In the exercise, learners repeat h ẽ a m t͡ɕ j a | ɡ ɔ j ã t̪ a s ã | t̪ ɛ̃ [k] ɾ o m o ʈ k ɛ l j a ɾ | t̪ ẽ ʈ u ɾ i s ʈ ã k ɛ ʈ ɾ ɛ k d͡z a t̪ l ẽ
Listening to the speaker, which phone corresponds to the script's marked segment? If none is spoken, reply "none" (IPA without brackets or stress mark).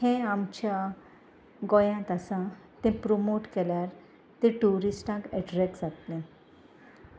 p